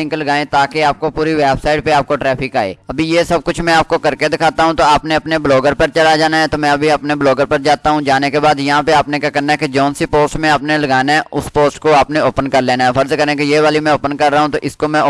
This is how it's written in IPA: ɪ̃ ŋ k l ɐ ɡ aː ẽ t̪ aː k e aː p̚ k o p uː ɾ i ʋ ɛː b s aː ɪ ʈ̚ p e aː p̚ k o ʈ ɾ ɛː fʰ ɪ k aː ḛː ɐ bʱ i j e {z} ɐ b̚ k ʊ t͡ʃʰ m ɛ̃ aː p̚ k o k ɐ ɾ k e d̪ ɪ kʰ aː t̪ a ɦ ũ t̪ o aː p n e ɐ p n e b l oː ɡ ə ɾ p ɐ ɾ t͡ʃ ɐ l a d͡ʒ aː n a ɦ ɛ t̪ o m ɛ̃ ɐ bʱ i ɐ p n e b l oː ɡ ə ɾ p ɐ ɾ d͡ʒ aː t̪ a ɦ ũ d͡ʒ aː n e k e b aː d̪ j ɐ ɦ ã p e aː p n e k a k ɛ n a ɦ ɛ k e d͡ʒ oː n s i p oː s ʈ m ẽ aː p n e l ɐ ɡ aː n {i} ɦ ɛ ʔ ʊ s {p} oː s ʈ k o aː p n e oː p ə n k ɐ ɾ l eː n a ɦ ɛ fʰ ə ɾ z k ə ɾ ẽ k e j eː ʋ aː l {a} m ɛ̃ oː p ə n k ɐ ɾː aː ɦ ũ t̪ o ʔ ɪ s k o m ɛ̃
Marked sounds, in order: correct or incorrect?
incorrect: s, incorrect: a, correct, incorrect: i

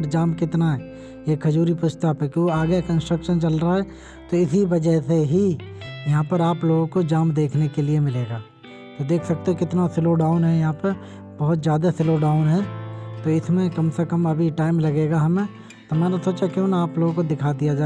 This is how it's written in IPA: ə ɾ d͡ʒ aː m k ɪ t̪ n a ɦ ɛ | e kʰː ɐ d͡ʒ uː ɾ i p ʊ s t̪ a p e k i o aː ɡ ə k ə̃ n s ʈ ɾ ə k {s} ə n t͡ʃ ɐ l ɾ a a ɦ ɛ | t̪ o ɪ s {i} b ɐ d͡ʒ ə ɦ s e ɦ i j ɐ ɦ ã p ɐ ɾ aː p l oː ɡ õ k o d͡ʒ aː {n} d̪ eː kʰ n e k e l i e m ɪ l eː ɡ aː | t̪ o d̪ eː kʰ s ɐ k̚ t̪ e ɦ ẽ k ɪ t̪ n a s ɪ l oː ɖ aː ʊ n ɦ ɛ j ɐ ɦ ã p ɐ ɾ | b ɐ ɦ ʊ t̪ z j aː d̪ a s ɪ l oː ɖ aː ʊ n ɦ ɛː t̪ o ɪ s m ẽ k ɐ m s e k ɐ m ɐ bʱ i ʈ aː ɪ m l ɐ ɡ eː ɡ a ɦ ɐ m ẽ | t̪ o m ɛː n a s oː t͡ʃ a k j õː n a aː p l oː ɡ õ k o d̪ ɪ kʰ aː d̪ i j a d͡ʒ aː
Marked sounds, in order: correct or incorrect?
incorrect: ʃ, correct, incorrect: m

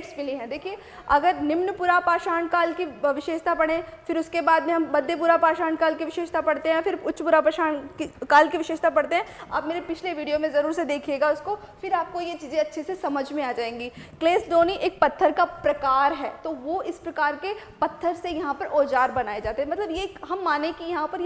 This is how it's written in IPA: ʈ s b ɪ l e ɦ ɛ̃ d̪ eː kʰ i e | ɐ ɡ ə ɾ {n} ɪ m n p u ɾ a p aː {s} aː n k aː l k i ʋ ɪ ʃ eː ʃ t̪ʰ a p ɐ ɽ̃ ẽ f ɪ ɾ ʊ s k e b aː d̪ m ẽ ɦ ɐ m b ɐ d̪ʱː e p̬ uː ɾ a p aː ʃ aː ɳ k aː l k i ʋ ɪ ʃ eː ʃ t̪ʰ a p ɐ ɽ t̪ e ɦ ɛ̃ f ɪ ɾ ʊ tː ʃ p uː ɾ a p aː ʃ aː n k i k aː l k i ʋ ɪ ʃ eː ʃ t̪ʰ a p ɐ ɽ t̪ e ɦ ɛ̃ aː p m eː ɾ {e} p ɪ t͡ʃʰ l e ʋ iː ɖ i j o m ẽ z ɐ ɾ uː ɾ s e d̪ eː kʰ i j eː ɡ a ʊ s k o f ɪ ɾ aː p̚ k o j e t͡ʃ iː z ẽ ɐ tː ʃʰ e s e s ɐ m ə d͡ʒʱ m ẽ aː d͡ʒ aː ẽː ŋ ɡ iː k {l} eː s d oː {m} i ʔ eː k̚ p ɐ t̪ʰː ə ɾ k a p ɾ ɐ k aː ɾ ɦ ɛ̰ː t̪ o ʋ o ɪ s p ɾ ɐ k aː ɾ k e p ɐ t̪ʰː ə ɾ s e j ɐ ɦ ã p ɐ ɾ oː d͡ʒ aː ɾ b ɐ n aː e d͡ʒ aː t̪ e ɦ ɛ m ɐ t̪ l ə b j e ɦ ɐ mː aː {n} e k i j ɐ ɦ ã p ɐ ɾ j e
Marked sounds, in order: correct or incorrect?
correct, incorrect: ʃ, correct, correct, incorrect: n, correct

